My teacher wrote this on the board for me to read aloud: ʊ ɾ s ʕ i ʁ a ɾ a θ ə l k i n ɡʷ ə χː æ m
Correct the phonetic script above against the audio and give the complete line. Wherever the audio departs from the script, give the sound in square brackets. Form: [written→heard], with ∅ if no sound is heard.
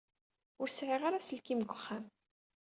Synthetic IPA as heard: ʊ ɾ s ʕ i ʁ a ɾ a [θ→s] ə l k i [n→m] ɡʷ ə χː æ m